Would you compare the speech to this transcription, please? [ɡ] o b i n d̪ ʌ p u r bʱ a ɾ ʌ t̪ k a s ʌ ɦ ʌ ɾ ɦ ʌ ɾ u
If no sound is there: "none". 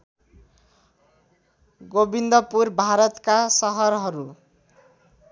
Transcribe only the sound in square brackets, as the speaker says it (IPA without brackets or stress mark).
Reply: ɡ